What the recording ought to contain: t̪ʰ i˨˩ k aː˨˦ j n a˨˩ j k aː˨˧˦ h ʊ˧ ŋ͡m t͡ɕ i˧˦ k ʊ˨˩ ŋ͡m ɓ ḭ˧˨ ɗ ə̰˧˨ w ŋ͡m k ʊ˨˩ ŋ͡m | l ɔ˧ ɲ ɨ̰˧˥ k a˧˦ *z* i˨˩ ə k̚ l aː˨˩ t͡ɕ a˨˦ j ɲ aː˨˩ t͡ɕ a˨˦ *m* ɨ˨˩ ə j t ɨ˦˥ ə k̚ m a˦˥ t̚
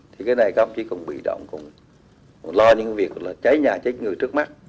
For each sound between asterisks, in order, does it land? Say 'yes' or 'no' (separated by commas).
no, no